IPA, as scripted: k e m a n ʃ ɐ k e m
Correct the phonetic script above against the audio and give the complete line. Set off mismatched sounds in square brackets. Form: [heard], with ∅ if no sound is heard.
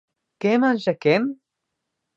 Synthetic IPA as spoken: k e m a n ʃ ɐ k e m